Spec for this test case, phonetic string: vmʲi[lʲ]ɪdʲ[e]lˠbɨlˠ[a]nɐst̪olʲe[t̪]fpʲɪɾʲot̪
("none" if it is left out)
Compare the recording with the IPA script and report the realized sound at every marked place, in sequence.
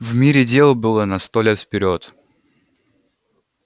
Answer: ɾʲ, e, ə, t̪

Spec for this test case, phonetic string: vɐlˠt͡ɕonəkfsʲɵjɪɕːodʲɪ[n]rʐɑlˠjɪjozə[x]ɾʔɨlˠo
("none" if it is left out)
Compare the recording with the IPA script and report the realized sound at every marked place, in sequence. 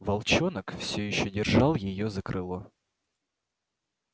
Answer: none, k

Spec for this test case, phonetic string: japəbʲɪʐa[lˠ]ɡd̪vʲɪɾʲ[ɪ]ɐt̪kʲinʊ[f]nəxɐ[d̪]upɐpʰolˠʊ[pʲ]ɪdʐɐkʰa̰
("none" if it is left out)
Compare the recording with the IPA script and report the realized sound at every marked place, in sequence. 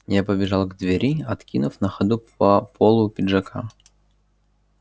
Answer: lˠ, i, f, d̪, pʲ

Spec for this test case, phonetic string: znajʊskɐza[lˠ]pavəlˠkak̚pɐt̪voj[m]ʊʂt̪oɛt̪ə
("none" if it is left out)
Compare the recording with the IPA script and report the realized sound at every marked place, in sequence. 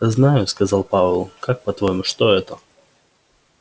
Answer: lˠ, m

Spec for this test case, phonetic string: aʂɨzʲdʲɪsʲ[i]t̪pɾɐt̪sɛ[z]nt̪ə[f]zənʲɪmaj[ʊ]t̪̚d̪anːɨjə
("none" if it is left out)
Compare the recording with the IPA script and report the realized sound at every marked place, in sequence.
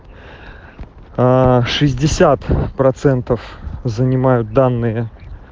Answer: a, none, f, ʊ

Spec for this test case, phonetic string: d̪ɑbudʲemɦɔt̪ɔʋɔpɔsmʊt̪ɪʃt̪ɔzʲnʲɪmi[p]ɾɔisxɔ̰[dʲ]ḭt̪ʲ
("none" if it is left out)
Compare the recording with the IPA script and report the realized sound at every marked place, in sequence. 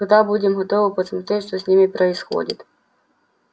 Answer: p, dʲ

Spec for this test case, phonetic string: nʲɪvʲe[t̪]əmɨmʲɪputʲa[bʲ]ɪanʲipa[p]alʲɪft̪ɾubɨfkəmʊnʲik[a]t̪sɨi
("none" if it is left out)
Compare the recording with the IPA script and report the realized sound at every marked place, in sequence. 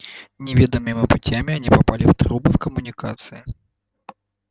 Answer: d̪, mʲ, p, a

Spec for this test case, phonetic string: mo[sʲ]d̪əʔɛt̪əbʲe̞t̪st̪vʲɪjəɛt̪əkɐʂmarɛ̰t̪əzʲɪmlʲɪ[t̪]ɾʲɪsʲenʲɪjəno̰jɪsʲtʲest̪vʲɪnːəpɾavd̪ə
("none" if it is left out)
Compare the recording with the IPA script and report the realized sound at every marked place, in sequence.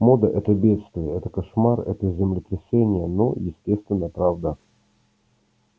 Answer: none, t̪

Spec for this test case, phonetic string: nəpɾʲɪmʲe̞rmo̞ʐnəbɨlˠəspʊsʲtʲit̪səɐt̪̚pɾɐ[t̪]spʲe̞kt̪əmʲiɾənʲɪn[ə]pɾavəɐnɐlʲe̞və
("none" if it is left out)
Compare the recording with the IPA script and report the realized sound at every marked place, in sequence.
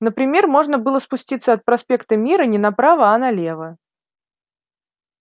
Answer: none, ɐ

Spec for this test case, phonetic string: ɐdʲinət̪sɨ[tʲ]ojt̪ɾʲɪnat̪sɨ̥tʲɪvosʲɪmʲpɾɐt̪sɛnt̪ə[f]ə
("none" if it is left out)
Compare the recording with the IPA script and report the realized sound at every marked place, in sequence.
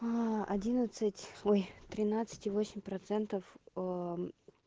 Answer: tʲ, f

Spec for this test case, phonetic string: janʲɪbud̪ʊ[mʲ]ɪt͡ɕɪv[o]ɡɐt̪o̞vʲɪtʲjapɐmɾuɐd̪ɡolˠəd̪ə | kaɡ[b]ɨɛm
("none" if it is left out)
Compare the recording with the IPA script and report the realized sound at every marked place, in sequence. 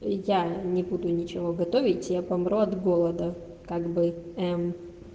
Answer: nʲ, o, b

